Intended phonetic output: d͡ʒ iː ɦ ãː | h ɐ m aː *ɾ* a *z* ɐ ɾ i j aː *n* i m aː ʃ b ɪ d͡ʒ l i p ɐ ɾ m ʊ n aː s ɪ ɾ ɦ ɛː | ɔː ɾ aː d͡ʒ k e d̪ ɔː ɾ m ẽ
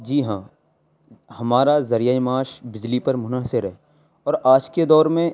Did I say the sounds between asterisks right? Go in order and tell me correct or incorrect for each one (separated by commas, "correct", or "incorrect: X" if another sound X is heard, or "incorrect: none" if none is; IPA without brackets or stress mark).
correct, correct, incorrect: none